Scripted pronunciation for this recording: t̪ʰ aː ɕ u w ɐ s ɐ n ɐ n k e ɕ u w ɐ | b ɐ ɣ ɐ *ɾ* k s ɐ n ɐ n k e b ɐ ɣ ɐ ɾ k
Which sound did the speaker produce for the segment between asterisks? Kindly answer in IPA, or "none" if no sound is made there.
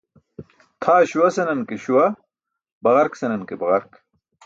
ɾ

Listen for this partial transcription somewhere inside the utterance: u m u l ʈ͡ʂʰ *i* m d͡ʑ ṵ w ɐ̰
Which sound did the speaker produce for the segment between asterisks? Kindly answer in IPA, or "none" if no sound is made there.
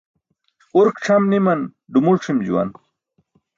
i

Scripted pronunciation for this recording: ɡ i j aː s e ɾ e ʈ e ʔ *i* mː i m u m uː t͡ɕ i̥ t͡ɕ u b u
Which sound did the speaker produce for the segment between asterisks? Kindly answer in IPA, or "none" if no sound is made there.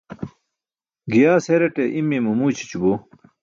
i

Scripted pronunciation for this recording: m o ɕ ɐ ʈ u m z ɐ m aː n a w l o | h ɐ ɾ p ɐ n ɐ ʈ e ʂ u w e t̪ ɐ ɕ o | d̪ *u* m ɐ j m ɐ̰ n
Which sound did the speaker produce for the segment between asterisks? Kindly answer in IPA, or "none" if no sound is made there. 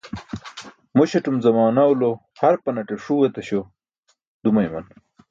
u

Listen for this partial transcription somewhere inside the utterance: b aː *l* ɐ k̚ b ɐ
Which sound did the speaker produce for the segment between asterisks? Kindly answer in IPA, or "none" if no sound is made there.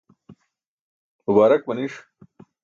ɾ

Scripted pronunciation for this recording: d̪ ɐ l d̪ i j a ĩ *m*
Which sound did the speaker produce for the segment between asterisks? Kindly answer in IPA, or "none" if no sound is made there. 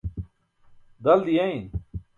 n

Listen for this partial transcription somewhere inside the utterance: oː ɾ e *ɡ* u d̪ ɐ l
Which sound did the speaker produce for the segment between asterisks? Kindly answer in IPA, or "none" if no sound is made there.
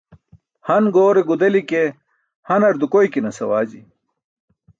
ɡ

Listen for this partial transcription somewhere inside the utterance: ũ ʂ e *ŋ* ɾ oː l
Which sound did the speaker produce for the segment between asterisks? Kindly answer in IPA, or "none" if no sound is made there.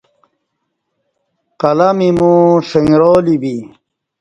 ŋ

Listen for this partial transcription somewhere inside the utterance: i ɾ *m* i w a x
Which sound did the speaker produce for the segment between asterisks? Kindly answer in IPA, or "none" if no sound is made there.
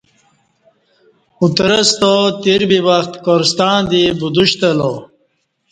b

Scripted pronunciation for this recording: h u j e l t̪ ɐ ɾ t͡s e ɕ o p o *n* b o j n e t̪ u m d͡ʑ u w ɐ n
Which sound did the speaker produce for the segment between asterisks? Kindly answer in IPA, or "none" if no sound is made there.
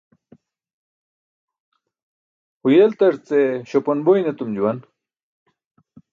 n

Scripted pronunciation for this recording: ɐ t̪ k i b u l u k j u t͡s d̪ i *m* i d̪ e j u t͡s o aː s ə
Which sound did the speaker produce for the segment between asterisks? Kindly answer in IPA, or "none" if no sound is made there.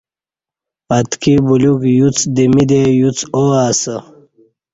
m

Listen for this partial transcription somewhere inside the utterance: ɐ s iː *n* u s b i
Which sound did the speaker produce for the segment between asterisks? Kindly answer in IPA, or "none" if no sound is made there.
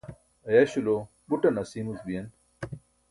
m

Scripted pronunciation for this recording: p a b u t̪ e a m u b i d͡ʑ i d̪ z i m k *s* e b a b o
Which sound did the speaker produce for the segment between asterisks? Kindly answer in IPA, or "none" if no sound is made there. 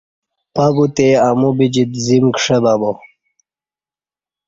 ʂ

